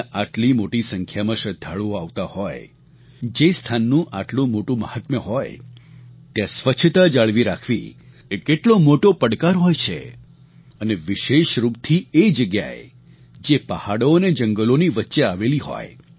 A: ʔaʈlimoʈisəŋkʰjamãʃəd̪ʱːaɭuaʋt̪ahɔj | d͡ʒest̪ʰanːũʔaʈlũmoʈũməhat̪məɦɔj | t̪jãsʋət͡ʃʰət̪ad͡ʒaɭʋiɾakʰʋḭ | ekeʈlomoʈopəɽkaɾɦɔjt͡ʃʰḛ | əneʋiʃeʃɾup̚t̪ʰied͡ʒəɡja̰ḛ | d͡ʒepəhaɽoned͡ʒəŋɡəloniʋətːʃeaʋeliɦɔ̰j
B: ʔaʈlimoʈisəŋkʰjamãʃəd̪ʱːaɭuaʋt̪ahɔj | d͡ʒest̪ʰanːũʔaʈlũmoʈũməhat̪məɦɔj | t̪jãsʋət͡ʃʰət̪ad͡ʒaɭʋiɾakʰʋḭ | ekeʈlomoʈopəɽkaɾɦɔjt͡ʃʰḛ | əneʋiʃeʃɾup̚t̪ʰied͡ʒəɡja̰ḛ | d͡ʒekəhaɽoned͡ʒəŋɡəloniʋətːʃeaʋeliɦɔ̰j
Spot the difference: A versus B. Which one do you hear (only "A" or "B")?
A